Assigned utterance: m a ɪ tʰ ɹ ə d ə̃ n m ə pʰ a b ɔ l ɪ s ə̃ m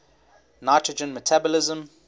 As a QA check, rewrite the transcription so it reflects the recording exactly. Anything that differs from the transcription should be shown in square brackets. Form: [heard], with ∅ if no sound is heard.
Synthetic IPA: [n] a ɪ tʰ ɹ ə [d͡ʒ] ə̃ n m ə [tʰ] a b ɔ l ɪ [z] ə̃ m